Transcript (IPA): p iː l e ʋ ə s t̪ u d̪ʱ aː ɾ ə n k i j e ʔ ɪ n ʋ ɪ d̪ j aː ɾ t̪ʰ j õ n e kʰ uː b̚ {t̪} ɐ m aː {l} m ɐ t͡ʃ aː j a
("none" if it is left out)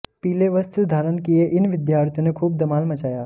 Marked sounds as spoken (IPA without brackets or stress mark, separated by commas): d̪, l